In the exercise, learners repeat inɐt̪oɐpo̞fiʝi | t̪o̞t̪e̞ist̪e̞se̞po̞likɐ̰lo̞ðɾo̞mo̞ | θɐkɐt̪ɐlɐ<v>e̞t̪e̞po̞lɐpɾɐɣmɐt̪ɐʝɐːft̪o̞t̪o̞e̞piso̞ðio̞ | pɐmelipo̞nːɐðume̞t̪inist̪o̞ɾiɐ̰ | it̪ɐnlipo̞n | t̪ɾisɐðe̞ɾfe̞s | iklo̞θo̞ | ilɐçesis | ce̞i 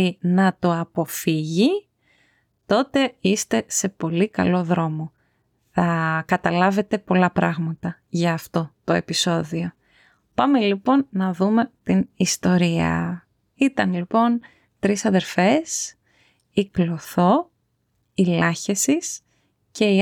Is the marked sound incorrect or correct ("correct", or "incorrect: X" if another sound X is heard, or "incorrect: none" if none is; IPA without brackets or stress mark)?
correct